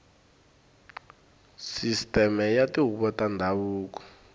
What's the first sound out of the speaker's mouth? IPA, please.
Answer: s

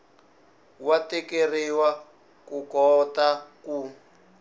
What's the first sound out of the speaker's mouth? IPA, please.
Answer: w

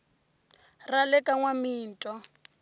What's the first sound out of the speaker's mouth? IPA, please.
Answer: r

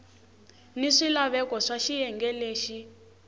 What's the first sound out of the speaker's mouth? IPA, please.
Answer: n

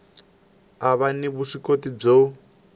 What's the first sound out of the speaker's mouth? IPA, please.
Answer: a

